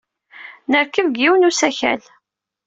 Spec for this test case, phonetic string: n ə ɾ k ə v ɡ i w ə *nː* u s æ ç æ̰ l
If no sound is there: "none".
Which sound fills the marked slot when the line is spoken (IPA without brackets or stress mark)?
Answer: n